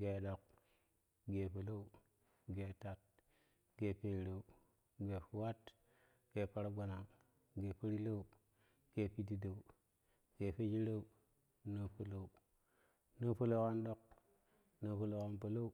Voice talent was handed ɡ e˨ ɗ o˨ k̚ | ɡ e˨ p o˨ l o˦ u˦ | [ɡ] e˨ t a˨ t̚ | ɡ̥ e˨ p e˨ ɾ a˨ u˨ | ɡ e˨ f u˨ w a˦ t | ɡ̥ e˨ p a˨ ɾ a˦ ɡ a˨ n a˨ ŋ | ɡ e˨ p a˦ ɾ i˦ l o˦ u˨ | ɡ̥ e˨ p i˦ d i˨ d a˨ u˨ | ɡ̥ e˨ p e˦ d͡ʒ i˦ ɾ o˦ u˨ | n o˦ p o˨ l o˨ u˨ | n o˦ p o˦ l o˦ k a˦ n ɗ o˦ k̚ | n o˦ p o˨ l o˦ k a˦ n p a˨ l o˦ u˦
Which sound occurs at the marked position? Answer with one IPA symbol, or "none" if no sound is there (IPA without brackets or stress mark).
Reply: ɡ